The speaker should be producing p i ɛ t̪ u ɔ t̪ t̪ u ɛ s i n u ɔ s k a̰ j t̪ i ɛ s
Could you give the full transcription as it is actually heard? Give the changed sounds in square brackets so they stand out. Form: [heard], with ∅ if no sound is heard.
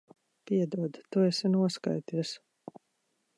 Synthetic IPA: p i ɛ [d̪] u ɔ [d̪] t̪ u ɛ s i n u ɔ s k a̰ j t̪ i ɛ s